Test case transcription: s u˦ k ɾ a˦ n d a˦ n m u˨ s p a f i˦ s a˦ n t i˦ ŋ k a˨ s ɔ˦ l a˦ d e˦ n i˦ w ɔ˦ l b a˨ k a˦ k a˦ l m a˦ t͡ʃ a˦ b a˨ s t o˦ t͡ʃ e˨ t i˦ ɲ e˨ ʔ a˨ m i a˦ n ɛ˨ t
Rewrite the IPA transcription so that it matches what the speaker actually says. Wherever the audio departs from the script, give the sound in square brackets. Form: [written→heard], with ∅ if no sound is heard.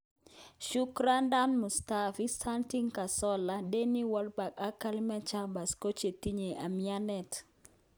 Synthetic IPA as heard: [s→ʃ] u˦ k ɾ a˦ n d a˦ n m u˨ s [p→t] a f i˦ s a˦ n t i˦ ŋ k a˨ s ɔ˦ l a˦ d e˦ n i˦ w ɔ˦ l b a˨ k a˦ k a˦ l m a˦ t͡ʃ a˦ b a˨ s [t→k] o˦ t͡ʃ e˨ t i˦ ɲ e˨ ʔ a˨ m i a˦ n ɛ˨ t